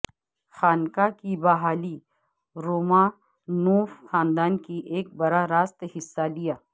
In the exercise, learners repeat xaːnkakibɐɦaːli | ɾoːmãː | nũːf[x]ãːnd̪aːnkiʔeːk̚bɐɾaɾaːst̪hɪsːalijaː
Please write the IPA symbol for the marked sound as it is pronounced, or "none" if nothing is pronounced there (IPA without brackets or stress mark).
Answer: x